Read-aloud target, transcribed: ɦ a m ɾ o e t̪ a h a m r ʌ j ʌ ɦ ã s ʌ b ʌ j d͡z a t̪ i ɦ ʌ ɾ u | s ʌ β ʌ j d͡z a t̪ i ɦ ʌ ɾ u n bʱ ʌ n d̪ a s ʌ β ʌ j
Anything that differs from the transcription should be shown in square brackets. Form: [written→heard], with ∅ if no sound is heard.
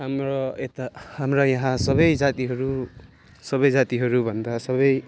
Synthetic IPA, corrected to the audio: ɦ a m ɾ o e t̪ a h a m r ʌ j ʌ ɦ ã s ʌ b ʌ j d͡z a t̪ i ɦ ʌ ɾ u | s ʌ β ʌ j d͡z a t̪ i ɦ ʌ ɾ u [n→∅] bʱ ʌ n d̪ a s ʌ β ʌ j